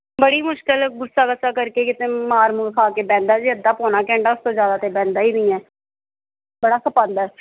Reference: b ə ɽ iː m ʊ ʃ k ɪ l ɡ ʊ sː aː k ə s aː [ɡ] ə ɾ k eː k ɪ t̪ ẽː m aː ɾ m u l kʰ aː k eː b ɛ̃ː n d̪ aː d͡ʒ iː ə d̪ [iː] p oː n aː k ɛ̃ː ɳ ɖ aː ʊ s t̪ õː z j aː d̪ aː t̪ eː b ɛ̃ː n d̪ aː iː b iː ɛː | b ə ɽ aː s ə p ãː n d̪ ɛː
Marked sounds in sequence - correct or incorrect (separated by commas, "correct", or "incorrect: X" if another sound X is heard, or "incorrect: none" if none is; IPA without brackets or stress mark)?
incorrect: k, incorrect: aː